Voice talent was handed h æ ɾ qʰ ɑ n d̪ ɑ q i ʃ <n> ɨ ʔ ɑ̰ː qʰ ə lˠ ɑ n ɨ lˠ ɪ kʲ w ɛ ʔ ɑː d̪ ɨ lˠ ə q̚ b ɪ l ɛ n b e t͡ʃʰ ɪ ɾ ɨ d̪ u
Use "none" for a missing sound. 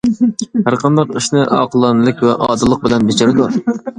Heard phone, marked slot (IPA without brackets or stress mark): n